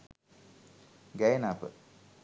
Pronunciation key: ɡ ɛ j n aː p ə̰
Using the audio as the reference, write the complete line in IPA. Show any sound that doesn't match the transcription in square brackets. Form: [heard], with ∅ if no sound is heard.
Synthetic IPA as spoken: ɡ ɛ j n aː p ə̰